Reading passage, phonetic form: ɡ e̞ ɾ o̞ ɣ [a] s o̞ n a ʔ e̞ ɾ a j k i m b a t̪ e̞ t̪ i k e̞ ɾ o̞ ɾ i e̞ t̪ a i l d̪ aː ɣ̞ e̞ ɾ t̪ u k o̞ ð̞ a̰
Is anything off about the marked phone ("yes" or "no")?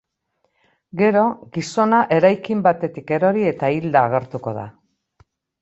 yes